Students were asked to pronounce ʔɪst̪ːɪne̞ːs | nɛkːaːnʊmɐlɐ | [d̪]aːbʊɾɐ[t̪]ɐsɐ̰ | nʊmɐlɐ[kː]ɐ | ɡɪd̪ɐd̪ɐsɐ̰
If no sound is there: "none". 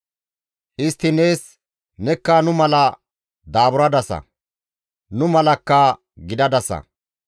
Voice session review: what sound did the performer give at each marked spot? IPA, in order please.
d̪, d̪, kː

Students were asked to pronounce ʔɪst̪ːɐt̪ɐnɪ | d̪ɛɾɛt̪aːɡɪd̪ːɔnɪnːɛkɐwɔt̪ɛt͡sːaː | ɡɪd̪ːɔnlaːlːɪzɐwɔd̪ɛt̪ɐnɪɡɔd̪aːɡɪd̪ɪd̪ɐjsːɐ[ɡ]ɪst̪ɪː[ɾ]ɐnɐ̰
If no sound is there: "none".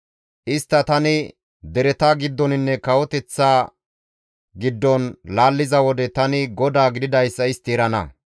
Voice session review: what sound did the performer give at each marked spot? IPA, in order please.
none, ɾ

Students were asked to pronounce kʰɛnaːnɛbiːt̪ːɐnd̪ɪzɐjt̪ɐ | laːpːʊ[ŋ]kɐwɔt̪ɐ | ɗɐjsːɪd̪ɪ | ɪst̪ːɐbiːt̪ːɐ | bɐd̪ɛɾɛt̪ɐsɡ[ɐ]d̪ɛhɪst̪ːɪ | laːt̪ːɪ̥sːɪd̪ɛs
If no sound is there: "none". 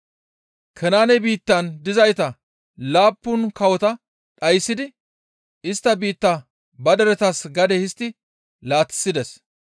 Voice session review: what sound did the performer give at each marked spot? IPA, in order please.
n, ɐ

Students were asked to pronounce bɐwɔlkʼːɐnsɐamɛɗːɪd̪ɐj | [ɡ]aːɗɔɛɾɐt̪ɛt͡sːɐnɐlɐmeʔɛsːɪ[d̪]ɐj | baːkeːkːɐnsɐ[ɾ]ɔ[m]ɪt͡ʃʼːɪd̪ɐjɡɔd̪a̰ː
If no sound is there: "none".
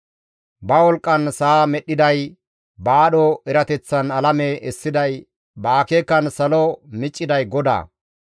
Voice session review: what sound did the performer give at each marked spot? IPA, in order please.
b, d̪, l, m

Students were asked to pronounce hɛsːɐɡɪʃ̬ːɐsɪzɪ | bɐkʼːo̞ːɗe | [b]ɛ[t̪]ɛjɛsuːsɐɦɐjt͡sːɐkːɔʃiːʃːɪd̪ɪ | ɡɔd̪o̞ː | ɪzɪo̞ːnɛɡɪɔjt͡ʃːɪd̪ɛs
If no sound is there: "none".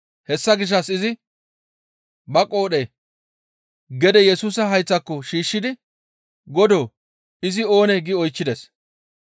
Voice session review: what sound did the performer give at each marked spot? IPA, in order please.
ɡ, d̪

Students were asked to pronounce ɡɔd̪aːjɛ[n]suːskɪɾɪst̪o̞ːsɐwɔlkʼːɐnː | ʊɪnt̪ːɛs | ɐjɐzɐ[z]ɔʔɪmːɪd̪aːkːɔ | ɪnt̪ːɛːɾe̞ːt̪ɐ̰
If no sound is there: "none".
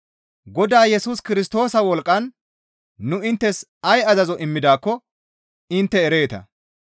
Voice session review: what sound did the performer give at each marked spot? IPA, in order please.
none, z

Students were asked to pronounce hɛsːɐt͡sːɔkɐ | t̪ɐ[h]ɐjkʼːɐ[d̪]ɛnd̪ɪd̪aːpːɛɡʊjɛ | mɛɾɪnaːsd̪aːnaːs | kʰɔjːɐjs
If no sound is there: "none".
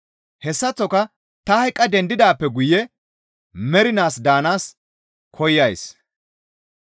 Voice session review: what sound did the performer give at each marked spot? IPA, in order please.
h, d̪

